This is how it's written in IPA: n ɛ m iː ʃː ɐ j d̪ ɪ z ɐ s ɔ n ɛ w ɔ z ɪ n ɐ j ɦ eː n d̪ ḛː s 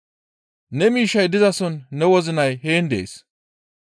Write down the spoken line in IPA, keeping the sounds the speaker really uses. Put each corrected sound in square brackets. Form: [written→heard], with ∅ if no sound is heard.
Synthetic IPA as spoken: n ɛ m iː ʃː ɐ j d̪ ɪ z ɐ s ɔ [n→nː] ɛ w ɔ z ɪ n ɐ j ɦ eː n d̪ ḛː s